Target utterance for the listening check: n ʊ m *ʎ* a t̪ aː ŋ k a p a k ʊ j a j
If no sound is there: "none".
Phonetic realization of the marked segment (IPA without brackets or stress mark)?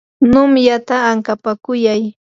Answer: j